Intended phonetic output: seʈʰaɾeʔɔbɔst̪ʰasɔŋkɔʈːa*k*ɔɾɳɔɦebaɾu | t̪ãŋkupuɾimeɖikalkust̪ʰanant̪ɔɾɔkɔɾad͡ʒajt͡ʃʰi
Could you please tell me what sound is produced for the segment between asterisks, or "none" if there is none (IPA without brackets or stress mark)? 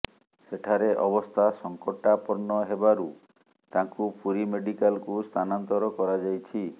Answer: p